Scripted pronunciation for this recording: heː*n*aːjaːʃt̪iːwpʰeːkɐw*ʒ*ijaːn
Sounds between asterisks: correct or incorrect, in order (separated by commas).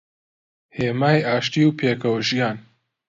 incorrect, correct